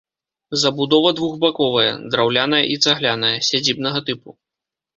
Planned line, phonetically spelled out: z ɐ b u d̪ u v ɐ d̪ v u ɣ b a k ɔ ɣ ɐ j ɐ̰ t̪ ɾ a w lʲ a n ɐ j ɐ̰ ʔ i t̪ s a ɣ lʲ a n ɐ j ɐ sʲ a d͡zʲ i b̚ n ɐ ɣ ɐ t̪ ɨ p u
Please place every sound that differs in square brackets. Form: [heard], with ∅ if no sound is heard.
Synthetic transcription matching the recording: z ɐ b u d̪ [ɔ] v ɐ d̪ v u ɣ b a k ɔ [v] ɐ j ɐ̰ [d̪] ɾ a w lʲ a n ɐ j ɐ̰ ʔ i t̪ s a ɣ lʲ a n ɐ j ɐ sʲ a d͡zʲ i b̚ n ɐ ɣ ɐ t̪ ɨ p u